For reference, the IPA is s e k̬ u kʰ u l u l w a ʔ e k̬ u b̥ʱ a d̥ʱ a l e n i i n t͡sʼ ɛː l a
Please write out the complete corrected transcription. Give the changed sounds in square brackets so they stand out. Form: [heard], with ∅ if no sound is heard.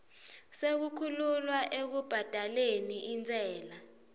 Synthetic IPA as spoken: s e k̬ u kʰ u l u l w a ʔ e k̬ u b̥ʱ a d̥ʱ a l e n i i n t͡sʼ ɛː l a